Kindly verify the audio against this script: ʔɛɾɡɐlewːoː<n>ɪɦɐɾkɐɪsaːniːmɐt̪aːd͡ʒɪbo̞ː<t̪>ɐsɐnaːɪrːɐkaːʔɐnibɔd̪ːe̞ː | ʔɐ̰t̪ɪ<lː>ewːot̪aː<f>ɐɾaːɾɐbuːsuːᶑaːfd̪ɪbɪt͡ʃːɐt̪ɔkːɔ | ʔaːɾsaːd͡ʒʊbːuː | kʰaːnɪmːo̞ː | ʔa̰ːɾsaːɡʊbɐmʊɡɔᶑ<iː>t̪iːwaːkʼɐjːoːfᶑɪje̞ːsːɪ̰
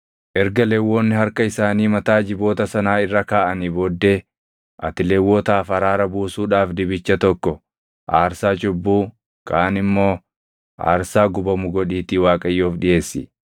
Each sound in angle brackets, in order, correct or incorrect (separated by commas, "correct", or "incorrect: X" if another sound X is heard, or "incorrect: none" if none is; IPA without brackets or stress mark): incorrect: nː, correct, incorrect: l, correct, correct